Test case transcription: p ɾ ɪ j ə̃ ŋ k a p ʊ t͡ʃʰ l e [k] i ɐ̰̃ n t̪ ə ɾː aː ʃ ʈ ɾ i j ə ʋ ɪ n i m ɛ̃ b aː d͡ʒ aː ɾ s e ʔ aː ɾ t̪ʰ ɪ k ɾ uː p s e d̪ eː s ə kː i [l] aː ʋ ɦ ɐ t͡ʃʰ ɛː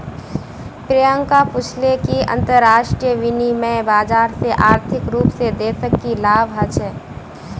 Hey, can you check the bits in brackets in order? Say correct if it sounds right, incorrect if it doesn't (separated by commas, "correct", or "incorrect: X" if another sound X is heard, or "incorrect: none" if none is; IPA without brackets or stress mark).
correct, correct